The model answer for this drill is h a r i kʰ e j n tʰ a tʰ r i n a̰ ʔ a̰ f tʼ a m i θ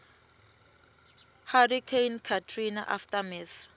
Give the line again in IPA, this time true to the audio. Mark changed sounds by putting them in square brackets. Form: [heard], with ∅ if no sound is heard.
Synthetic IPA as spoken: h a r i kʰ e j n [kʰ] a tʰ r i n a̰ ʔ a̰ f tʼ a m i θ